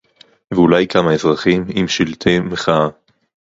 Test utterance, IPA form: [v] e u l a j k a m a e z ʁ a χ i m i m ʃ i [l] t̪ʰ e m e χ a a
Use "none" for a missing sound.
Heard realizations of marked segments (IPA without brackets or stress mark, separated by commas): v, l